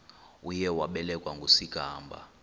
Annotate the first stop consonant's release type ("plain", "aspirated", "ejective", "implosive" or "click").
implosive